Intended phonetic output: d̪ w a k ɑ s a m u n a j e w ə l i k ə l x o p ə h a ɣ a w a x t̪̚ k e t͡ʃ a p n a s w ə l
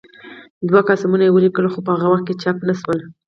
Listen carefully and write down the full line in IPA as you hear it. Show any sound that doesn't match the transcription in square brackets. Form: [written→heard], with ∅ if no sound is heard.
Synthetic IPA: d̪ w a k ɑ s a m u n a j e w ə l i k ə l x o p ə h a ɣ a w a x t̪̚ k e t͡ʃ a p n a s w ə l